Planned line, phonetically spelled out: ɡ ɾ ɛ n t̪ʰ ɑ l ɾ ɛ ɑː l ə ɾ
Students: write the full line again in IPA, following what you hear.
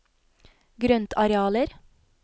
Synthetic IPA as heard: ɡ ɾ œ n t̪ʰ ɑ ɾ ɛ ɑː l ə ɾ